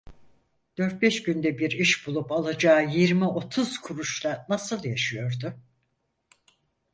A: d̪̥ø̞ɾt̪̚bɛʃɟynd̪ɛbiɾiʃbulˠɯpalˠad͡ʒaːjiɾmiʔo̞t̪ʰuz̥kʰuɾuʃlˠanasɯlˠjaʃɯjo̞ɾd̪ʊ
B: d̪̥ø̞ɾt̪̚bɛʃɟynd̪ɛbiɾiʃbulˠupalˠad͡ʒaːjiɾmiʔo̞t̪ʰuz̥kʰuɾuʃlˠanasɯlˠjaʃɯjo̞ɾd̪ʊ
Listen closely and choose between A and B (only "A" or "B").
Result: B